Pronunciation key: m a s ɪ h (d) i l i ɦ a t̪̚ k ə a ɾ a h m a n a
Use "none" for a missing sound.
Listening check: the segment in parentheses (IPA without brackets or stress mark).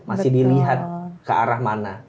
d